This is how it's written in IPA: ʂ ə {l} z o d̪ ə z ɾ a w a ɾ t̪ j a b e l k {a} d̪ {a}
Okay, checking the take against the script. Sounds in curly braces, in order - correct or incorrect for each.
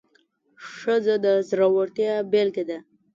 incorrect, incorrect, correct

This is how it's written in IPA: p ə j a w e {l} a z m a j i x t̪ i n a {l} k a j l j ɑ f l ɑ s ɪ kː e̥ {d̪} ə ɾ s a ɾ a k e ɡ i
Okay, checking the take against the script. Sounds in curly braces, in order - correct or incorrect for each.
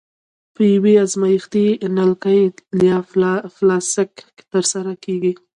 incorrect, correct, incorrect

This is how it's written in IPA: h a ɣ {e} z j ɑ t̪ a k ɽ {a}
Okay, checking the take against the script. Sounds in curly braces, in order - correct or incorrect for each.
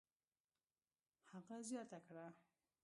incorrect, correct

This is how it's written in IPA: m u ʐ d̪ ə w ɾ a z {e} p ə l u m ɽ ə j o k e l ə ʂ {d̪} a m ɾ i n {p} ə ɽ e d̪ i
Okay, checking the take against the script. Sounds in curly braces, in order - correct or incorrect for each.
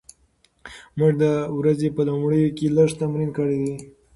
correct, incorrect, incorrect

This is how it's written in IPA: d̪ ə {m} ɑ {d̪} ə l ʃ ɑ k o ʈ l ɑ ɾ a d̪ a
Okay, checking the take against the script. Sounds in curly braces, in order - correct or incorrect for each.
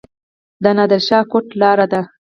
incorrect, correct

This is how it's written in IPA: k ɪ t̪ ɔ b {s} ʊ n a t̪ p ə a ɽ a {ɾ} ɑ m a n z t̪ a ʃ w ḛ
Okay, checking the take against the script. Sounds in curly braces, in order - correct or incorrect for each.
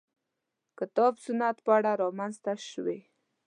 correct, correct

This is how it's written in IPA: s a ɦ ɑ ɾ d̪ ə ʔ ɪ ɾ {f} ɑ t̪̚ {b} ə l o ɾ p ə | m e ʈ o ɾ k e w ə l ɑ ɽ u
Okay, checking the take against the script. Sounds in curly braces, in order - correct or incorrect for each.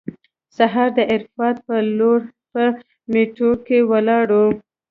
correct, incorrect

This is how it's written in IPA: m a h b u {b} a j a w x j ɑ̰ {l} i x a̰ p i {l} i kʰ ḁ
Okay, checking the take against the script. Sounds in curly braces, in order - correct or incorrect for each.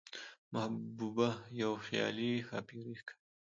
correct, correct, incorrect

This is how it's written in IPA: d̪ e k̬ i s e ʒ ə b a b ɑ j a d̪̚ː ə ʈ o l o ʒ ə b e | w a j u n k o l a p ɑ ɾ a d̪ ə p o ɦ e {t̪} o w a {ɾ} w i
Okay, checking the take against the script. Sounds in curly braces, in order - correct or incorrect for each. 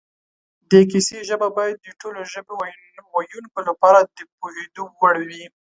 incorrect, incorrect

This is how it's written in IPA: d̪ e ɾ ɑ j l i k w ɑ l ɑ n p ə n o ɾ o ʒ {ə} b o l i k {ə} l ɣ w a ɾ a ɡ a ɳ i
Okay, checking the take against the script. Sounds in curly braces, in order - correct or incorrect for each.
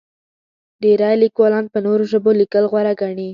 correct, correct

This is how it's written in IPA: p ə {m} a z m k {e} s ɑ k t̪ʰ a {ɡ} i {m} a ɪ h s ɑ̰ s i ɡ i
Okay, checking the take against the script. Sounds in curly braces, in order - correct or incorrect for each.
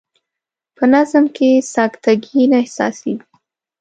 incorrect, correct, correct, incorrect

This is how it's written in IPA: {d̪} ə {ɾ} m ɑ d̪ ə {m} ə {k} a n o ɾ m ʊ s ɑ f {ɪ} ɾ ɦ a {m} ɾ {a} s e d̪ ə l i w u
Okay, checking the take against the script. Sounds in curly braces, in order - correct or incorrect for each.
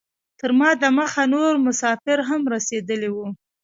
incorrect, correct, correct, incorrect, correct, correct, correct

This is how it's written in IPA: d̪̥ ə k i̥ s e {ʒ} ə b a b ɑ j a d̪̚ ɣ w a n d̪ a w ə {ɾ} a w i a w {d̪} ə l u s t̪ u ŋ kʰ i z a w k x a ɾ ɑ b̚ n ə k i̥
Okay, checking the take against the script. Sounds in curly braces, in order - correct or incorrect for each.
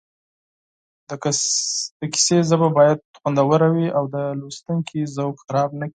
incorrect, correct, correct

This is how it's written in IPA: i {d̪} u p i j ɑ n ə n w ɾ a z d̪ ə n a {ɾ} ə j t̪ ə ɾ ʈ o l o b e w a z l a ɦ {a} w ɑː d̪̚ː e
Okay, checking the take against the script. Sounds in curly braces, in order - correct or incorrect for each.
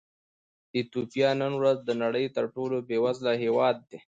incorrect, incorrect, incorrect

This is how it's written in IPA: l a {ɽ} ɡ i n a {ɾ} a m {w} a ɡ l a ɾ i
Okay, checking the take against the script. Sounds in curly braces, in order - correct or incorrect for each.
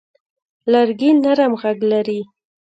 incorrect, correct, incorrect

